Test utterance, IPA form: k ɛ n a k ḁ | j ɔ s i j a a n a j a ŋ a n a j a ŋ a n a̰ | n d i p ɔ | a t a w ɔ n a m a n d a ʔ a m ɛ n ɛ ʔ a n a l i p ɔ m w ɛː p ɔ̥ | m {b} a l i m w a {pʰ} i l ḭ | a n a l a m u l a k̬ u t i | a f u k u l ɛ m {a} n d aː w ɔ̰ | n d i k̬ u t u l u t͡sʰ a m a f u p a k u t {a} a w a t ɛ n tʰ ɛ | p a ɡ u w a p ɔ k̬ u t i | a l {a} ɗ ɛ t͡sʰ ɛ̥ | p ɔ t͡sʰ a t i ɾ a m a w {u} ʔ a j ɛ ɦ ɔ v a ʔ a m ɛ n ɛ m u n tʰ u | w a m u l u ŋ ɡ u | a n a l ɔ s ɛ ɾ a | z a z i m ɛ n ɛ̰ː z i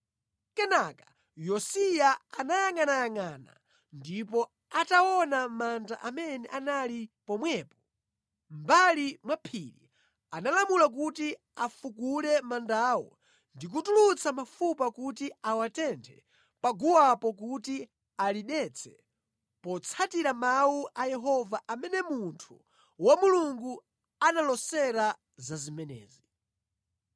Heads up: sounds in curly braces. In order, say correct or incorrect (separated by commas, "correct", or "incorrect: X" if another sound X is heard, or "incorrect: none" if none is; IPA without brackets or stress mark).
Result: correct, correct, correct, incorrect: i, incorrect: i, correct